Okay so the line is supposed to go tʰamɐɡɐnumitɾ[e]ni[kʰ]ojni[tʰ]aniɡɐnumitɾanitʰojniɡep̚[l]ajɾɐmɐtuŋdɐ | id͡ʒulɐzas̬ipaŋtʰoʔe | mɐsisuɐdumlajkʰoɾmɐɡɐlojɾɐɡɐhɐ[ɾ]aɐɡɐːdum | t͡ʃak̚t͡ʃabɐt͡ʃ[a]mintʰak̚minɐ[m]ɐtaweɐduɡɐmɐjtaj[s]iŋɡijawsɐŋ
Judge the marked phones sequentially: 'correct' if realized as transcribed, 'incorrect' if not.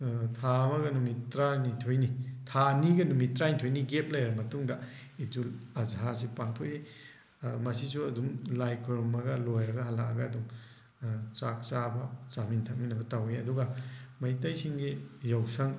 incorrect: a, incorrect: tʰ, correct, correct, incorrect: l, correct, incorrect: b, correct

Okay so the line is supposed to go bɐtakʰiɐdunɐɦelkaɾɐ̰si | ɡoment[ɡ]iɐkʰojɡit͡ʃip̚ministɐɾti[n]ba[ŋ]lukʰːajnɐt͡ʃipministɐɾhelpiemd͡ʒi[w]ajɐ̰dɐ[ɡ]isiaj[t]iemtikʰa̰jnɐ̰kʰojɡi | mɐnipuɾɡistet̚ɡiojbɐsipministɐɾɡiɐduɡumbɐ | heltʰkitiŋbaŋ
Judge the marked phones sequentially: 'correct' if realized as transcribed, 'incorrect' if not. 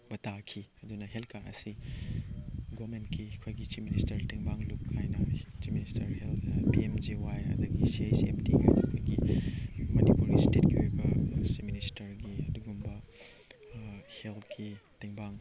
incorrect: k, incorrect: ŋ, correct, correct, correct, incorrect: s

